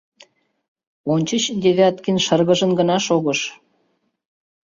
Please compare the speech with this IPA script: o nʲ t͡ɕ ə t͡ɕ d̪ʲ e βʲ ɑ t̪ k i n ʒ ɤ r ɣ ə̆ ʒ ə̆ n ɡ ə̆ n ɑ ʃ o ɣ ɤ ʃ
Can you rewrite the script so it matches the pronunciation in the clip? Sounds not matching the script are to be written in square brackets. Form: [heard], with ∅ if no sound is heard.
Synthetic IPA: o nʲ t͡ɕ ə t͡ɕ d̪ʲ e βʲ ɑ t̪ k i n [ʃ] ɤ r ɣ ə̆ ʒ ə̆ n ɡ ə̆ n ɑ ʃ o ɣ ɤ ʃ